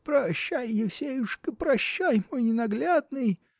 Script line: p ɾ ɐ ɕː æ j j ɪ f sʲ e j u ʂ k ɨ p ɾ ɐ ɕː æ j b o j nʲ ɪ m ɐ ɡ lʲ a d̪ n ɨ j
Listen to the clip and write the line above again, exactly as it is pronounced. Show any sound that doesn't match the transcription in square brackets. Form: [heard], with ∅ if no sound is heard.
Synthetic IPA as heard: p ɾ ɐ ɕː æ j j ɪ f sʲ e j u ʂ k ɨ p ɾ ɐ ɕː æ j [m] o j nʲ ɪ [n] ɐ ɡ lʲ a d̪ n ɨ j